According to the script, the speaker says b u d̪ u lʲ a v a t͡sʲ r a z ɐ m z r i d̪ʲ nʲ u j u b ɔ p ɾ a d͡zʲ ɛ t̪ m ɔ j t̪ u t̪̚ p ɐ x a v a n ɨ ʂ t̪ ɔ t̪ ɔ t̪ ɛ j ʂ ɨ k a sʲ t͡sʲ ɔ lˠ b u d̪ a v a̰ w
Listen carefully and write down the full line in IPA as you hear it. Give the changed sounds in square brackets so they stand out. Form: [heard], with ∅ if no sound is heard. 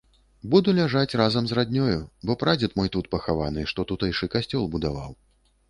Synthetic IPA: b u d̪ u lʲ a [ʐ] a t͡sʲ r a z ɐ m z r [a] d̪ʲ nʲ [ɔ] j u b ɔ p ɾ a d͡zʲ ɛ t̪ m ɔ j t̪ u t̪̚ p ɐ x a v a n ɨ ʂ t̪ ɔ t̪ [u] t̪ ɛ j ʂ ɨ k a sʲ t͡sʲ ɔ lˠ b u d̪ a v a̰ w

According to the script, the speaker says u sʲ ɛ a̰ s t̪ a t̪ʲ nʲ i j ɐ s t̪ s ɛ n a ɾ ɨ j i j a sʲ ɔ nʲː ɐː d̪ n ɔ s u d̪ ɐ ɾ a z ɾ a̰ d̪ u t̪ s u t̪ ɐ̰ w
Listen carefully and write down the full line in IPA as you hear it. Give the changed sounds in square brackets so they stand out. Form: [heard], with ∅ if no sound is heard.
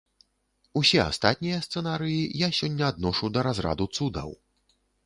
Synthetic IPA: u sʲ ɛ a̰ s t̪ a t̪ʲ nʲ i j ɐ s t̪ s ɛ n a ɾ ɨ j i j a sʲ ɔ nʲː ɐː d̪ n ɔ [ʂ] u d̪ ɐ ɾ a z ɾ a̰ d̪ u t̪ s u [d̪] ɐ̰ w

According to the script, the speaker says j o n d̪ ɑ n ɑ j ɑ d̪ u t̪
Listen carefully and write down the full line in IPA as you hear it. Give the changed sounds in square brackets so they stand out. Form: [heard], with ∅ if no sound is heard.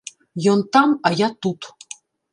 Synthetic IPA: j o n [t̪] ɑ [m] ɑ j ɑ [t̪] u t̪

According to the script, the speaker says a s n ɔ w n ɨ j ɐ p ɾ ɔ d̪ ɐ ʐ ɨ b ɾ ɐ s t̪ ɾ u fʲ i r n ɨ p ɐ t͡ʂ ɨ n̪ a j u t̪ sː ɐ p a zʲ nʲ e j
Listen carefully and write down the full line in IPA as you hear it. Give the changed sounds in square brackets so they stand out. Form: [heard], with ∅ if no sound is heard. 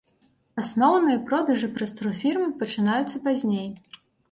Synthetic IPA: a s n ɔ w n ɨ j ɐ p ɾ ɔ d̪ ɐ ʐ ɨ [p] ɾ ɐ s t̪ ɾ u fʲ i r [m] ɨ p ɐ t͡ʂ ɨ n̪ a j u t̪ sː ɐ p a zʲ nʲ e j

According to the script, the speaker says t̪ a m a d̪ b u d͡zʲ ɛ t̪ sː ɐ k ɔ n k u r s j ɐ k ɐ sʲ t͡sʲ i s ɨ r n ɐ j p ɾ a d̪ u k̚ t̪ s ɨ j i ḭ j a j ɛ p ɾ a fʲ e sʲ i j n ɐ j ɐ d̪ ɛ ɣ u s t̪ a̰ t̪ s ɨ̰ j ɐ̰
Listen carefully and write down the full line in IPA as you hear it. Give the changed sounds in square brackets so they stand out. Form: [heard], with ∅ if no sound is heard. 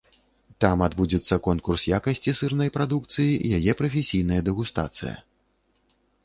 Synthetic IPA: t̪ a m a d̪ b u d͡zʲ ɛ t̪ sː ɐ k ɔ n k u r s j [a] k ɐ sʲ t͡sʲ i s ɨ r n ɐ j p ɾ a d̪ u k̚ t̪ s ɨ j i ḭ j a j ɛ p ɾ [ɐ] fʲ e sʲ i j n ɐ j ɐ d̪ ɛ ɣ u s t̪ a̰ t̪ s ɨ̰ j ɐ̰

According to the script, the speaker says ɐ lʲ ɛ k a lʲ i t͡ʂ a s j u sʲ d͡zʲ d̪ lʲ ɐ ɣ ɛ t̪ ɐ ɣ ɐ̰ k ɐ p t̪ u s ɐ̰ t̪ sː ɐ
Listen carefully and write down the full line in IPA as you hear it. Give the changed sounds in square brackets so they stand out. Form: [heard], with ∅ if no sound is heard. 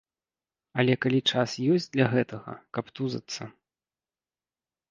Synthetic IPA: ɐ lʲ ɛ k a lʲ i t͡ʂ a s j [ɔ] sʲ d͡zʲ d̪ lʲ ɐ ɣ ɛ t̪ ɐ ɣ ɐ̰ k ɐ p t̪ u [z] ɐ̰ t̪ sː ɐ

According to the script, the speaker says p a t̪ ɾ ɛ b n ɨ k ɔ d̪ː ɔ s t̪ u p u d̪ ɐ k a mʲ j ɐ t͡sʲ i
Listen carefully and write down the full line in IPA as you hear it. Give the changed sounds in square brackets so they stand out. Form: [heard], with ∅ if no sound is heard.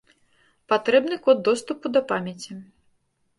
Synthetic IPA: p a t̪ ɾ ɛ b n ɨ k ɔ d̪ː ɔ s t̪ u p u d̪ ɐ [p] a mʲ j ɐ t͡sʲ i

